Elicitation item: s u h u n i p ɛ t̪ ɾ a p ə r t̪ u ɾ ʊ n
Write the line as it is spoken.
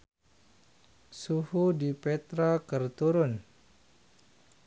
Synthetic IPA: s u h u d i p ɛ t̪ ɾ a k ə r t̪ u ɾ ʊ n